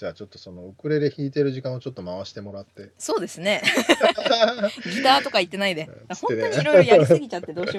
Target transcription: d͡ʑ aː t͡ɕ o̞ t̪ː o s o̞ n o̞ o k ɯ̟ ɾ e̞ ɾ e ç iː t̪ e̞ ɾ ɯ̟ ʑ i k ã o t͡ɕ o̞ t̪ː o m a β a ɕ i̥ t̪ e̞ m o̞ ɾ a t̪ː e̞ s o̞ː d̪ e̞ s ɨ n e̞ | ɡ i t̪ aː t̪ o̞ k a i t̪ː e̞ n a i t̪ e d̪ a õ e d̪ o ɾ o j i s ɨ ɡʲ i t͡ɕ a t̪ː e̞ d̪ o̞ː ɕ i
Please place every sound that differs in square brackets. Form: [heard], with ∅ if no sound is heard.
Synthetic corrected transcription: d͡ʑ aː t͡ɕ o̞ t̪ː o s o̞ n o̞ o k ɯ̟ ɾ e̞ ɾ e ç iː t̪ e̞ ɾ ɯ̟ ʑ i k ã o t͡ɕ o̞ t̪ː o m a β a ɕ i̥ t̪ e̞ m o̞ ɾ a t̪ː e̞ s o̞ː d̪ e̞ s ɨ n e̞ | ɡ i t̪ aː t̪ o̞ k a i t̪ː e̞ n a i [d̪] e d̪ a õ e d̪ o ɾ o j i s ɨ ɡʲ i t͡ɕ a t̪ː e̞ d̪ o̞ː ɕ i